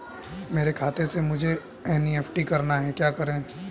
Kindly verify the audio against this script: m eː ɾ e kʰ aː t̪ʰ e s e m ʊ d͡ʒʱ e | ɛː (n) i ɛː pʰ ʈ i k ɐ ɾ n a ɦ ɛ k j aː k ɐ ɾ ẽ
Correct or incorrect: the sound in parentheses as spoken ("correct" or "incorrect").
correct